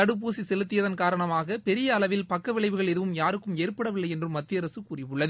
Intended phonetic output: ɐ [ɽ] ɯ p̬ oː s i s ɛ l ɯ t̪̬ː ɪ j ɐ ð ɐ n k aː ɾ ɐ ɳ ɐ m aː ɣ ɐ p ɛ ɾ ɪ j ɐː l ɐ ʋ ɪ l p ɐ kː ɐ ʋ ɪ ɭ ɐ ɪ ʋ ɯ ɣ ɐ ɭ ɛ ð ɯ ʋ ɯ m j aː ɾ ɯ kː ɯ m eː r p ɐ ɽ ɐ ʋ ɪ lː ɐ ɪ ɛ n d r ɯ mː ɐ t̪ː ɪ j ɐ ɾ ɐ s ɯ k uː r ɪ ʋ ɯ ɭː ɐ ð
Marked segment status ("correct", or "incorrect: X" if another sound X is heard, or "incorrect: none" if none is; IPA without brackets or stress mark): correct